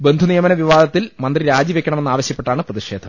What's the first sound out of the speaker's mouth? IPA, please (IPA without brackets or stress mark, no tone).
b